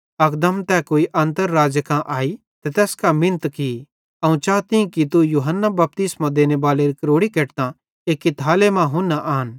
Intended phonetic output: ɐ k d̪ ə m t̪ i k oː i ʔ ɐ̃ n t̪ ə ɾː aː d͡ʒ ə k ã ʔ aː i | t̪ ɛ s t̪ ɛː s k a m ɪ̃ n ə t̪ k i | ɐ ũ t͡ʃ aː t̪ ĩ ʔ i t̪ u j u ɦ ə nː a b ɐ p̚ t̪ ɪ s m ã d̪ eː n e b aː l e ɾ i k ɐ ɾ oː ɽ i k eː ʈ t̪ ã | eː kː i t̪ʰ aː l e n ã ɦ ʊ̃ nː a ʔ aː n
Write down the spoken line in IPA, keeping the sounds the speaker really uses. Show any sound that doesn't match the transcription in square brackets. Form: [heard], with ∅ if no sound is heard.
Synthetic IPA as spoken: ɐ k d̪ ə m t̪ [ɛ] k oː i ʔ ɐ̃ n t̪ ə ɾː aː d͡ʒ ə k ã ʔ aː i | t̪ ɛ [∅] t̪ ɛː s k a m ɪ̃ n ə t̪ k i | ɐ ũ t͡ʃ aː t̪ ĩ [k] i t̪ u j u ɦ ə nː a b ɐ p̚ t̪ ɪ s m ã d̪ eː n e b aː l e ɾ i k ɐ ɾ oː ɽ i k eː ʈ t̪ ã | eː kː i t̪ʰ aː l e [m] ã ɦ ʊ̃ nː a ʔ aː n